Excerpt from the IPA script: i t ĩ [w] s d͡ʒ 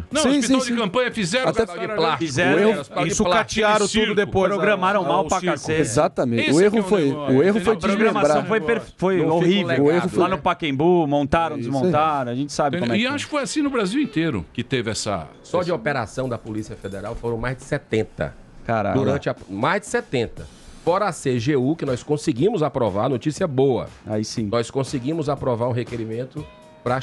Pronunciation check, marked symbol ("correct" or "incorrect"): correct